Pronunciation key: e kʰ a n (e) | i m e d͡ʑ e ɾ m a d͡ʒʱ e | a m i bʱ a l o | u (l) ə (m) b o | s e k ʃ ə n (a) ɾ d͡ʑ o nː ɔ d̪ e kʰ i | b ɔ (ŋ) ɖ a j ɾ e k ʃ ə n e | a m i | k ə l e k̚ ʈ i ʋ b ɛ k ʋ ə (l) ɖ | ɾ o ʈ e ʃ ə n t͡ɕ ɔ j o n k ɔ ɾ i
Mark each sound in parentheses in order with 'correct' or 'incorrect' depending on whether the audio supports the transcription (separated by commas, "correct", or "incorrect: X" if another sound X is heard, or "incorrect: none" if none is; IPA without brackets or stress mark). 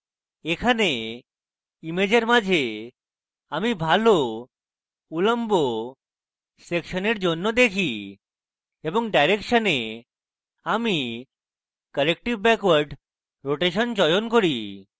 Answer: correct, correct, correct, incorrect: e, correct, incorrect: ɾ